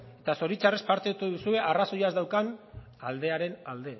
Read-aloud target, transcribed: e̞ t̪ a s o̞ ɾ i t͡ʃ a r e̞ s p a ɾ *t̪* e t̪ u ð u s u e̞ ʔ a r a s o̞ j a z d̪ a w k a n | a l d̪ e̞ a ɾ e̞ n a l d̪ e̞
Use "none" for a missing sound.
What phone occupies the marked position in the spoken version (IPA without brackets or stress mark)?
t̪